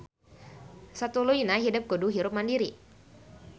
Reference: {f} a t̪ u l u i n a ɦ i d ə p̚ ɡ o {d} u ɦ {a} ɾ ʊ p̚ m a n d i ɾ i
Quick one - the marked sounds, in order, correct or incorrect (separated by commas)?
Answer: incorrect, correct, incorrect